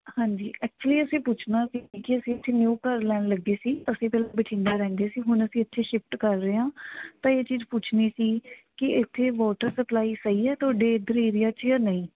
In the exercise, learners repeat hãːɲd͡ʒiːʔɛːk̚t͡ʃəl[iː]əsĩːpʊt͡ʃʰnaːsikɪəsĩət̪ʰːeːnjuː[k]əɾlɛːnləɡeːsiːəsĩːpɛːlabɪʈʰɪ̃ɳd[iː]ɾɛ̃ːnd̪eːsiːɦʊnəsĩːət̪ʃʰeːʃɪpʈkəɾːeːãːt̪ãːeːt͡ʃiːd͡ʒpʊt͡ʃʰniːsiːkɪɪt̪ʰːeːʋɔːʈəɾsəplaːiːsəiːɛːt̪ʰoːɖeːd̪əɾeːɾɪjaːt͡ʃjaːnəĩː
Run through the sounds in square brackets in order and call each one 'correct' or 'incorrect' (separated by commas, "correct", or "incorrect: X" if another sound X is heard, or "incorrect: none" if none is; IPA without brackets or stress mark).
correct, correct, incorrect: aː